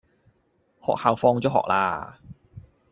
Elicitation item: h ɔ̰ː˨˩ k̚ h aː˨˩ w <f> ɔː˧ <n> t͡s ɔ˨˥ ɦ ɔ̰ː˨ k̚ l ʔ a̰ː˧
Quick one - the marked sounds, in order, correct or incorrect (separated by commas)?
correct, incorrect